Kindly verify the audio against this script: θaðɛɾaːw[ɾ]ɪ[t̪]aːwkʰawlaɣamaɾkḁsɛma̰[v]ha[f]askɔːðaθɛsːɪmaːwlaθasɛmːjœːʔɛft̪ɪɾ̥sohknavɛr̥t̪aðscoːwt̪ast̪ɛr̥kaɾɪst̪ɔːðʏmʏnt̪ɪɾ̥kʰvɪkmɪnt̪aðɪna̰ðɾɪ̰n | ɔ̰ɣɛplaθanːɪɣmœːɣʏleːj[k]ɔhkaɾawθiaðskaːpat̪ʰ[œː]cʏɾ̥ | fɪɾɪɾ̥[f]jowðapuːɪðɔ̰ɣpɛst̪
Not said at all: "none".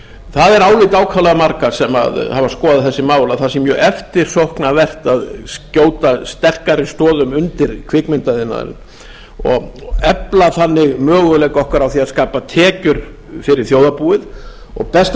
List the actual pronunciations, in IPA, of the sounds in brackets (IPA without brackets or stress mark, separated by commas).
l, t̪, ð, v, k, ɛː, θ